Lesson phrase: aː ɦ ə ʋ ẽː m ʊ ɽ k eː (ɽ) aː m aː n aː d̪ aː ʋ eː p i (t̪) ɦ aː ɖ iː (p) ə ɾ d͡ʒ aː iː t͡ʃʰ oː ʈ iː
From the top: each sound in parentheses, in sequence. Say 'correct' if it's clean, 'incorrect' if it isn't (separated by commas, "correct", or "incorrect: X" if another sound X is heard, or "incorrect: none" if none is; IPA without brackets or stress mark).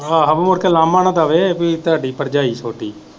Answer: incorrect: l, correct, correct